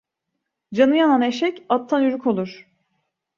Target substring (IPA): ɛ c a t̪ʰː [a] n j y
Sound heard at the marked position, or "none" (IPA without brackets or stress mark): a